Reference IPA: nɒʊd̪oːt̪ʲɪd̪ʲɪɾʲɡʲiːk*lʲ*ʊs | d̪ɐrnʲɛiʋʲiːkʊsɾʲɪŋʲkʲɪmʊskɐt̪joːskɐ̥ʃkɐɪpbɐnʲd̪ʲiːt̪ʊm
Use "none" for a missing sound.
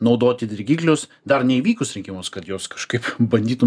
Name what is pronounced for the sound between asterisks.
lʲ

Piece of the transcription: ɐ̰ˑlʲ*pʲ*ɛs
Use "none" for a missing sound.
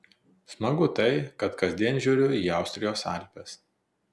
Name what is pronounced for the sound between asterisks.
pʲ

